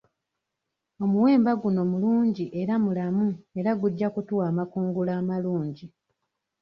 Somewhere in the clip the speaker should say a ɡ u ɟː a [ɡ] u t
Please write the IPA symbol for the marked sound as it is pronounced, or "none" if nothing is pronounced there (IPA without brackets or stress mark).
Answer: k